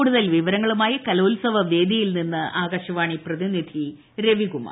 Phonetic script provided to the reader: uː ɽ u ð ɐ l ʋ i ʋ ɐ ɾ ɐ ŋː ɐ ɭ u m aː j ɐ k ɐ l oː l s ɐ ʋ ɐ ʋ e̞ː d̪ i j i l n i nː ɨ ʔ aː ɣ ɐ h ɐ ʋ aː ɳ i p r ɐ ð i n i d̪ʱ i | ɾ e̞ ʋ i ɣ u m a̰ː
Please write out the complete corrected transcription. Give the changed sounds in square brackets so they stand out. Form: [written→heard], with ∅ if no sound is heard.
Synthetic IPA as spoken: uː ɽ u ð ɐ l ʋ i ʋ ɐ ɾ ɐ ŋː ɐ ɭ u m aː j ɐ k ɐ l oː l s ɐ ʋ ɐ ʋ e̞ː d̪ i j i l n i nː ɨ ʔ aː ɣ ɐ [h→ɕ] ɐ ʋ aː ɳ i p r ɐ ð i n i d̪ʱ i | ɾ e̞ ʋ i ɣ u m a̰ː